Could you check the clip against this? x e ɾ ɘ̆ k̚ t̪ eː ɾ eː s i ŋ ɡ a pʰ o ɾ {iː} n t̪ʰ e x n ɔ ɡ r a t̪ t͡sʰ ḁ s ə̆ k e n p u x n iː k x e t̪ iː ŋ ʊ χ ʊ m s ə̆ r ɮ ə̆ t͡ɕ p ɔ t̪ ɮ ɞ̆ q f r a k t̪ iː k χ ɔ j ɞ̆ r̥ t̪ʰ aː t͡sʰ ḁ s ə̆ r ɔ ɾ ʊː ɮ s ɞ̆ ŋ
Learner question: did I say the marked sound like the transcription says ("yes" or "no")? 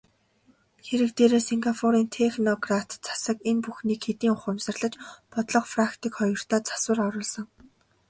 yes